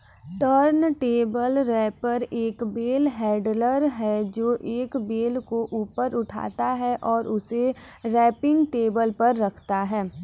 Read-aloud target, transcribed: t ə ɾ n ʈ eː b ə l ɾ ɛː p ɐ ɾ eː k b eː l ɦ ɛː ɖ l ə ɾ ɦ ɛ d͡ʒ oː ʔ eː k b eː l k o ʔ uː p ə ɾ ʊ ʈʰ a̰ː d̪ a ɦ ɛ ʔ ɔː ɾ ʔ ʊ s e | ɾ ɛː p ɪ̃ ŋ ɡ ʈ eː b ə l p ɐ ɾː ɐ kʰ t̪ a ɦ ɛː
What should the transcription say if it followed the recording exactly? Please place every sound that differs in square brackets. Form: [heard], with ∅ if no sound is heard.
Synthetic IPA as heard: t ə ɾ n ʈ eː b ə l ɾ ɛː p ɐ ɾ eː k b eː l ɦ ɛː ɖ l ə ɾ ɦ ɛ d͡ʒ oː ʔ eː k b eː l k o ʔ uː p ə ɾ ʊ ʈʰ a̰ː [t̪] a ɦ ɛ ʔ ɔː ɾ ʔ ʊ s e | ɾ ɛː p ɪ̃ ŋ ɡ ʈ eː b ə l p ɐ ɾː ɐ kʰ t̪ a ɦ ɛː